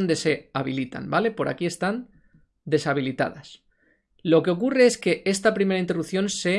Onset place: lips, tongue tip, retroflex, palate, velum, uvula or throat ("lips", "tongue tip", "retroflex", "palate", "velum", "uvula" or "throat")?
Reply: tongue tip